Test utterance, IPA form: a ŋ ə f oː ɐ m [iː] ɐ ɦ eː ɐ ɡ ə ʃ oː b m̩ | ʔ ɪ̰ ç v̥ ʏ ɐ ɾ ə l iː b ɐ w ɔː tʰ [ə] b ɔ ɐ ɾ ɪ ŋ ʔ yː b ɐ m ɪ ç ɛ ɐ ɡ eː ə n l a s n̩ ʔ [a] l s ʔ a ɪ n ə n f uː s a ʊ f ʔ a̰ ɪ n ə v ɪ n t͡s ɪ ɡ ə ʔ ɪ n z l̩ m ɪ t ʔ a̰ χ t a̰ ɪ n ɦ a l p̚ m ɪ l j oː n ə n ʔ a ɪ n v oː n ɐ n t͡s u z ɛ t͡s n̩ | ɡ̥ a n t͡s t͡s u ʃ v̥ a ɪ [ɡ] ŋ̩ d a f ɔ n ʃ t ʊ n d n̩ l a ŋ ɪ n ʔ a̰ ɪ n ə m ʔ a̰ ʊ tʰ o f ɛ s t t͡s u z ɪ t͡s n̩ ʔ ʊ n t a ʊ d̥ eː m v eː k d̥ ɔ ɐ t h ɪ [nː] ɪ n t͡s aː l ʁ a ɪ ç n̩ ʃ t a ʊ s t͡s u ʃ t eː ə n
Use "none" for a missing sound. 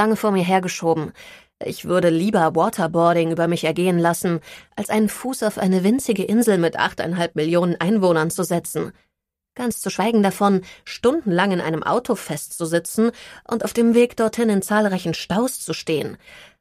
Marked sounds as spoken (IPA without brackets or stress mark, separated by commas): iː, ɐ, a, ɡ, n